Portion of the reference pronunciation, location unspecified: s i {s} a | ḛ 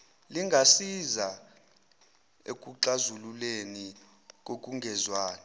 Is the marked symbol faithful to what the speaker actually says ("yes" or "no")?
no